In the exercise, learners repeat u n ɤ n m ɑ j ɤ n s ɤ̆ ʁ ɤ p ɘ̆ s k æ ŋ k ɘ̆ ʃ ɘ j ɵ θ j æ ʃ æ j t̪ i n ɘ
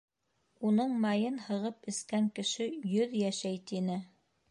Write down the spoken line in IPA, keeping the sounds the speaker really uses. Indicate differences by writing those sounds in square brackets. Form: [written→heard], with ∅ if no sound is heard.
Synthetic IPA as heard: u n ɤ [n→ɴ] m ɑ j ɤ n [s→h] ɤ̆ ʁ ɤ p ɘ̆ s k æ ŋ k ɘ̆ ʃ ɘ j ɵ [θ→ð] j æ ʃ æ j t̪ i n ɘ